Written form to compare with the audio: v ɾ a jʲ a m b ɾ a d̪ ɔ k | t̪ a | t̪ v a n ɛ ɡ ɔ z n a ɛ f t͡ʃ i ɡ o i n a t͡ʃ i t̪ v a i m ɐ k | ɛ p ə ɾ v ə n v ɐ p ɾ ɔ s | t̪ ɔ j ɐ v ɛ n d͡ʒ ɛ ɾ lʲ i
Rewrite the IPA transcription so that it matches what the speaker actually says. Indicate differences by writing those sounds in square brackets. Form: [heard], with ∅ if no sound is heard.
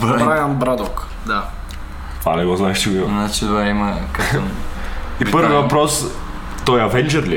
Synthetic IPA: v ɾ a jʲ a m b ɾ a d̪ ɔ k | [d̪] a | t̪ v a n ɛ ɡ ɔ z n a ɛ [ʃ] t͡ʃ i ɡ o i n a t͡ʃ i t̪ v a i m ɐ k | [i] p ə ɾ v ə [∅] v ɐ p ɾ ɔ s | t̪ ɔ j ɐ v ɛ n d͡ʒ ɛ ɾ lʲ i